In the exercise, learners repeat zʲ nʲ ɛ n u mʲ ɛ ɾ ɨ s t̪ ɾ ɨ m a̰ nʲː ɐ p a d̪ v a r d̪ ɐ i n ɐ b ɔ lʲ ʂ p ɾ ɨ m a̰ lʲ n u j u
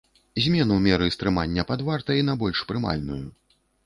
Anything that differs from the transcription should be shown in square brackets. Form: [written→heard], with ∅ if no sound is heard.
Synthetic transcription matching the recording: zʲ [nʲ→mʲ] ɛ n u mʲ ɛ ɾ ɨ s t̪ ɾ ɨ m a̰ nʲː ɐ p a d̪ v a r [d̪→t̪] ɐ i n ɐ b ɔ lʲ ʂ p ɾ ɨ m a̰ lʲ n u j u